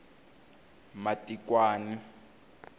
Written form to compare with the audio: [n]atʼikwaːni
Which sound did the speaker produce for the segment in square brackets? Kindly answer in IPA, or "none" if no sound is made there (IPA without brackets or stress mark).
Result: m